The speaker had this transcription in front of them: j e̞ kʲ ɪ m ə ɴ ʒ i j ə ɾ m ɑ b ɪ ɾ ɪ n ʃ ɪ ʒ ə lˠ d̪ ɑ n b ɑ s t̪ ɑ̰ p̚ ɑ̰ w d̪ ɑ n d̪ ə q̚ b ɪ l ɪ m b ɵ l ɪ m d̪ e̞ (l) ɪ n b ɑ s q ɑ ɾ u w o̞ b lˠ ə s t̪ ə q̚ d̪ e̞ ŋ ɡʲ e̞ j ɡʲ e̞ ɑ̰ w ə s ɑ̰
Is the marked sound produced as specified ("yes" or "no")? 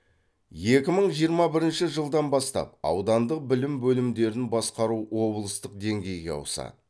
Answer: no